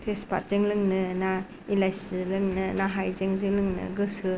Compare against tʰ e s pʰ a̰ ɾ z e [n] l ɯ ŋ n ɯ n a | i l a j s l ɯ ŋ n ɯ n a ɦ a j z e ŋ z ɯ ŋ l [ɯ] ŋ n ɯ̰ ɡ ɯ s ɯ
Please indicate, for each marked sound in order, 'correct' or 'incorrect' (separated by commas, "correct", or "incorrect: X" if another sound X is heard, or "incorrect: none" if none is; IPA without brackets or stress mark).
incorrect: ŋ, correct